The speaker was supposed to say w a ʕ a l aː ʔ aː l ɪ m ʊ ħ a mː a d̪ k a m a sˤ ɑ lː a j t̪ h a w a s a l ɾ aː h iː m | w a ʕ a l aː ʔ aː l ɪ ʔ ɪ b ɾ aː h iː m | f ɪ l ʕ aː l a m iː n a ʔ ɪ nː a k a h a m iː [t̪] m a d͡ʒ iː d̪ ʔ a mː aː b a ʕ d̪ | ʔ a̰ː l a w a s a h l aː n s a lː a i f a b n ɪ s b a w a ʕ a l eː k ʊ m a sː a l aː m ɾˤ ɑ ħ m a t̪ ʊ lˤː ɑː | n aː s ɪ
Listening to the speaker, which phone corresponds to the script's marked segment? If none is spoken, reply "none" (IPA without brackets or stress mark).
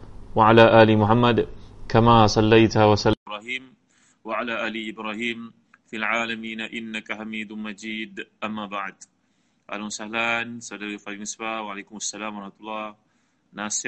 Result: d̪